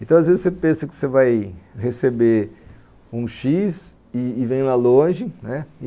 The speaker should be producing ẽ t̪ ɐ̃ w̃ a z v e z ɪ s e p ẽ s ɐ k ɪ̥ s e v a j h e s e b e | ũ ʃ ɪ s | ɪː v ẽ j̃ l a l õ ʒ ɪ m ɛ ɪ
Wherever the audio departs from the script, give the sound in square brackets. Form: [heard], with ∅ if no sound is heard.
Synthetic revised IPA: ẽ t̪ ɐ̃ w̃ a z v e z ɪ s e p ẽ s ɐ k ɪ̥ s e v a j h e s e b e | ũ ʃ [i] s | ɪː v ẽ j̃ l a l õ ʒ ɪ [n] ɛ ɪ